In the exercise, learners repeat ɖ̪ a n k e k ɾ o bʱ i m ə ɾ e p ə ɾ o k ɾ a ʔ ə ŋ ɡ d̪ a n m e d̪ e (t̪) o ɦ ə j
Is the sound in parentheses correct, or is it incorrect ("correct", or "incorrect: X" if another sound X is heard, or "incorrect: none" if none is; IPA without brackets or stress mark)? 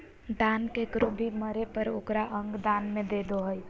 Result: incorrect: d̪